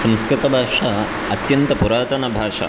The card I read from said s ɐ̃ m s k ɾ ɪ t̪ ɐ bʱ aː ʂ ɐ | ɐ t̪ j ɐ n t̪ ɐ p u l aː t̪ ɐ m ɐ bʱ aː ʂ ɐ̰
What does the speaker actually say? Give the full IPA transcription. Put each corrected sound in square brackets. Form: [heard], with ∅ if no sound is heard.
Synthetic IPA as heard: s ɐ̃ m s k ɾ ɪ t̪ ɐ bʱ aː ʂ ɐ | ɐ t̪ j ɐ n t̪ ɐ p u [ɾ] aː t̪ ɐ [n] ɐ bʱ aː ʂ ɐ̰